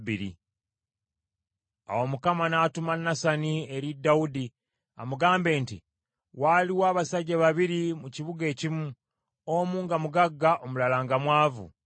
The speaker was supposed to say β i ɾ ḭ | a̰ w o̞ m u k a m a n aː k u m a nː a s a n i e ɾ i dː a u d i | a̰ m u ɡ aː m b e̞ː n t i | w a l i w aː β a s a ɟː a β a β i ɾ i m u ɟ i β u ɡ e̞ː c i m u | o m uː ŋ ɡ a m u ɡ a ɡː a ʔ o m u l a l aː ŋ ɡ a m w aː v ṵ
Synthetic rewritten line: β i ɾ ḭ | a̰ w o̞ m u k a m a n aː t u m a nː a s a n i e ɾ i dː a u d i | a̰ m u ɡ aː m b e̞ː n t i | w a l i w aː β a s a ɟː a β a β i ɾ i m u c i β u ɡ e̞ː c i m u | o m uː ŋ ɡ a m u ɡ a ɡː a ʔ o m u l a l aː ŋ ɡ a m w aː v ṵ